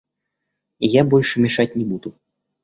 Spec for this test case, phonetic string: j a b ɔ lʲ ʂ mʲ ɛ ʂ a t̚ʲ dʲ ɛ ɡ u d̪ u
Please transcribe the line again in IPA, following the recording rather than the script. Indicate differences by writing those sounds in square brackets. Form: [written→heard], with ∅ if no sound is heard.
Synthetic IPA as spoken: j a b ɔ lʲ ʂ mʲ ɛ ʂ a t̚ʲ [dʲ→nʲ] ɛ [ɡ→b] u d̪ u